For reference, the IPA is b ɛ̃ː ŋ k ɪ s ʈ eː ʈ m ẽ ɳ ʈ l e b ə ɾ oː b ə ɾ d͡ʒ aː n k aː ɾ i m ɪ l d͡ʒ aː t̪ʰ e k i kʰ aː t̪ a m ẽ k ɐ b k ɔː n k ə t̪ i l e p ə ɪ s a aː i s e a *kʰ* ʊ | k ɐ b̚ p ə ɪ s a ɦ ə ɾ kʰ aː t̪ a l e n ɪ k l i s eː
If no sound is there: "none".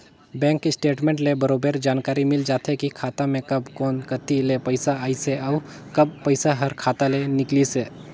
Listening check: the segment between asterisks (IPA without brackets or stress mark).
none